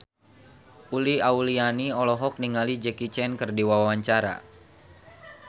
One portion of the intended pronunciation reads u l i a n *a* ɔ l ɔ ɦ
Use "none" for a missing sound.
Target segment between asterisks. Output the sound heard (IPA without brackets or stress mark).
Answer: i